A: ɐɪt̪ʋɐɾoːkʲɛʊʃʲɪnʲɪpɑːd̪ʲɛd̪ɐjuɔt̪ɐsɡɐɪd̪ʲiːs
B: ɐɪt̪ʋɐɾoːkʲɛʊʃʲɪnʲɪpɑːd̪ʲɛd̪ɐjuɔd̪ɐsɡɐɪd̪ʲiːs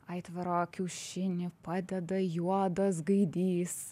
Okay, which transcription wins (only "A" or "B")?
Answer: B